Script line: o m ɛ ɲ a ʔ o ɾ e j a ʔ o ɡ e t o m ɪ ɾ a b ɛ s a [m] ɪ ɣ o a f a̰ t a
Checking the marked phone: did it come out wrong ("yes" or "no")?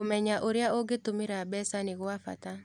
yes